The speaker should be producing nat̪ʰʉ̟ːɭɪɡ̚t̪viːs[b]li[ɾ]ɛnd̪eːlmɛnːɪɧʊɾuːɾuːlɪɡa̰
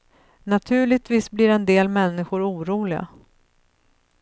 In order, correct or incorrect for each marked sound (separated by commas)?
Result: correct, correct